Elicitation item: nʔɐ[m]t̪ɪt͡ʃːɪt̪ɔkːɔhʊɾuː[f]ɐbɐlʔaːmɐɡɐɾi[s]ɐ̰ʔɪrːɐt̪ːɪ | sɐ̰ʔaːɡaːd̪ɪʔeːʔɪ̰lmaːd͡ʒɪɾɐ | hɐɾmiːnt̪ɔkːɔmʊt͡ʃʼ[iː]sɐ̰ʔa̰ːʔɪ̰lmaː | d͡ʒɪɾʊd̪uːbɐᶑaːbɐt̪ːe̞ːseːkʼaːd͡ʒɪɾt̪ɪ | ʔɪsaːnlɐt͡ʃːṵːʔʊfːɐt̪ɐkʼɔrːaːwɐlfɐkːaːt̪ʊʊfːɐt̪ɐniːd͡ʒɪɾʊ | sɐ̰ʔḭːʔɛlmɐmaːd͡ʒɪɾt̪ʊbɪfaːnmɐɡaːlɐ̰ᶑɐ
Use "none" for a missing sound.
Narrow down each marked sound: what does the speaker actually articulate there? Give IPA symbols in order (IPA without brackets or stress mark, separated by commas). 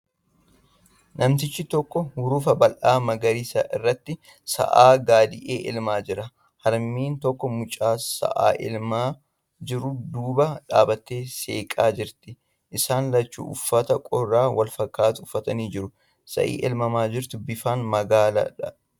m, f, s, aː